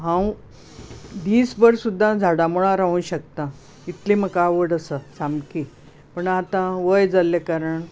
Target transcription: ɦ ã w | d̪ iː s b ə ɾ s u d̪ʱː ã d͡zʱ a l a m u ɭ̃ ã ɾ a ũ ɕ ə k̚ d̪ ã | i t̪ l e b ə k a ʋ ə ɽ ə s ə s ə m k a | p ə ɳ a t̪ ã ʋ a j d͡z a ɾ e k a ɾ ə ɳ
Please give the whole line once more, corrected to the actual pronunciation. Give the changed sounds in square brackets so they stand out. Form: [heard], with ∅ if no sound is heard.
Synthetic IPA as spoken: ɦ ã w | d̪ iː s b ə ɾ s u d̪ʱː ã d͡zʱ a [ɽ] a m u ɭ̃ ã ɾ a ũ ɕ ə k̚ [t̪] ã | i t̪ l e [m] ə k a ʋ ə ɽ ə s ə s [a] m k [i] | p ə ɳ a t̪ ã ʋ [ə] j d͡z a [l] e k a ɾ ə ɳ